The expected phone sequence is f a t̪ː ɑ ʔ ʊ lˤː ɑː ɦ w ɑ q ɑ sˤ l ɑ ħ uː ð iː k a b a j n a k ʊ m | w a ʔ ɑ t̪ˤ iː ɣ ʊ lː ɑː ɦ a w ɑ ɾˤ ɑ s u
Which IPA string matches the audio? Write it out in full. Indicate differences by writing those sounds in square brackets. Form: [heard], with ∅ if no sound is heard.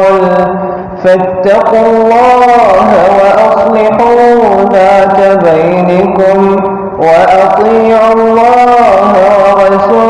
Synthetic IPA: f a t̪ː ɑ [q] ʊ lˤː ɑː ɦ w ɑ [ʔ] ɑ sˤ l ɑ ħ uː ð [aː] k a b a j n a k ʊ m | w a ʔ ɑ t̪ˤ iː [ʕ] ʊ lː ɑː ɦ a w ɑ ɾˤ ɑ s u